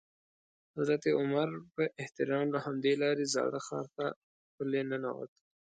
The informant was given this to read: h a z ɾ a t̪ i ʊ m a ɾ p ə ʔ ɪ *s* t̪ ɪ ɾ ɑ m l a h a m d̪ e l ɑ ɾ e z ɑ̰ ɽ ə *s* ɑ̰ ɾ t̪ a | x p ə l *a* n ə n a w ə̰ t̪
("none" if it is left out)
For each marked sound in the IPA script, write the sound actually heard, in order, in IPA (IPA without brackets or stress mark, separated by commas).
h, x, e